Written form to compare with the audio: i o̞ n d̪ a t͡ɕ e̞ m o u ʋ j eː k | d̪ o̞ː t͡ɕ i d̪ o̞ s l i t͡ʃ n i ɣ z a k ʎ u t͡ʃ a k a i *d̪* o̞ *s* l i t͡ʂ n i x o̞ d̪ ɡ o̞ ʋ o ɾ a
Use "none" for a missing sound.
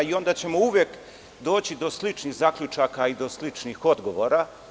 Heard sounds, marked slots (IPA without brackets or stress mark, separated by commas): d̪, s